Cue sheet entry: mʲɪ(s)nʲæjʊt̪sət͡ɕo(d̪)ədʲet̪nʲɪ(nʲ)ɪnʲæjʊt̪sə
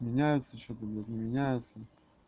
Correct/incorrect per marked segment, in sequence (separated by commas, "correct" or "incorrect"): incorrect, incorrect, incorrect